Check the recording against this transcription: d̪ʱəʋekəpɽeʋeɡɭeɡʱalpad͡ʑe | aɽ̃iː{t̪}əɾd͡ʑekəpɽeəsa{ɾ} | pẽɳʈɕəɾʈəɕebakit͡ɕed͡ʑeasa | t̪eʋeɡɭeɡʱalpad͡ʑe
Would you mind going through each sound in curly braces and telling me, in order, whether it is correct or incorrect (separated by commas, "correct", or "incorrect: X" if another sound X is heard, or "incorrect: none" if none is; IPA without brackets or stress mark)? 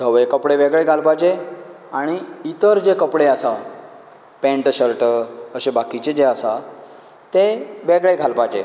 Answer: correct, incorrect: none